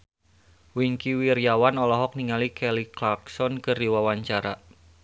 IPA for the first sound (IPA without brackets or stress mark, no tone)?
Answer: w